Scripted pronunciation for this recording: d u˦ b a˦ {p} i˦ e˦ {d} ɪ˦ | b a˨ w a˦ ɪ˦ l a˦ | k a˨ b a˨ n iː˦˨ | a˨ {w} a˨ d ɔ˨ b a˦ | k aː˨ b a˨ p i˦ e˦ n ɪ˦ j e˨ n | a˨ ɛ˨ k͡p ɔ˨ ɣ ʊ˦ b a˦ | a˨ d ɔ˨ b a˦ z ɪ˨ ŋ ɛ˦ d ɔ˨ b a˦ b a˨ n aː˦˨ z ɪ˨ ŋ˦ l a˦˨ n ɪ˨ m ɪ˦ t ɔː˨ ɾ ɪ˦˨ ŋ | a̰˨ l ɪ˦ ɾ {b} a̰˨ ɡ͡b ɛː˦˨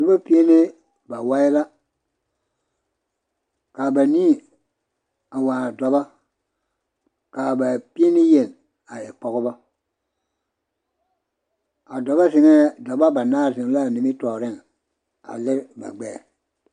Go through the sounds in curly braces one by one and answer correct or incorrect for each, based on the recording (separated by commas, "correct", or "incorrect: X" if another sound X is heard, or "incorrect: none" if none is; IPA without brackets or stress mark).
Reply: correct, incorrect: n, correct, correct